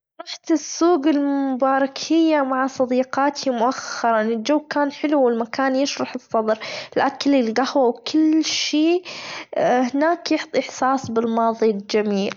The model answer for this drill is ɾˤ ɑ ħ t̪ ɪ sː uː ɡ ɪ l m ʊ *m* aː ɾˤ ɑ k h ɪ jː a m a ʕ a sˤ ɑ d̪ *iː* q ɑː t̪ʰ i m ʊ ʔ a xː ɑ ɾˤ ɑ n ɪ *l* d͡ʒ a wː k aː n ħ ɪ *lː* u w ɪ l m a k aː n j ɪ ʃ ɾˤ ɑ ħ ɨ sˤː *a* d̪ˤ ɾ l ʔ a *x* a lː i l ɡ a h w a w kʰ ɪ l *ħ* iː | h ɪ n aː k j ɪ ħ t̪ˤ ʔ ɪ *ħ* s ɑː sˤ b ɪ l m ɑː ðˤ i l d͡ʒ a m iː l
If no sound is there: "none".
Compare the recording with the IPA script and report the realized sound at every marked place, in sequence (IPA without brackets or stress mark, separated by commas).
b, iː, l, l, ɑ, k, ʃ, ħ